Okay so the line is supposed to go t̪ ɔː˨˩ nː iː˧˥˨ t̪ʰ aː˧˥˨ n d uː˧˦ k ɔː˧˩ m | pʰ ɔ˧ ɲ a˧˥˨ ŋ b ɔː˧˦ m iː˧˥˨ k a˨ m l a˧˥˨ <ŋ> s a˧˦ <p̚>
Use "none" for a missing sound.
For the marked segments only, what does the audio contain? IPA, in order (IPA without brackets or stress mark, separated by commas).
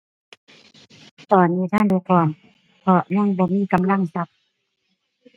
ŋ, p̚